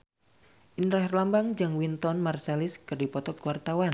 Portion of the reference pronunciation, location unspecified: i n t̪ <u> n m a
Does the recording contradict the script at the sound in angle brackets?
yes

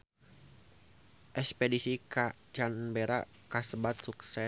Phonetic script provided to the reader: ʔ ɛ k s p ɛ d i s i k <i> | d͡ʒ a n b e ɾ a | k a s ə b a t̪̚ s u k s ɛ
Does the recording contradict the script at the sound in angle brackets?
yes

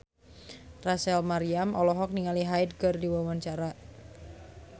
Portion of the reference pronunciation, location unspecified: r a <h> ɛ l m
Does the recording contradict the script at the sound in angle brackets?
yes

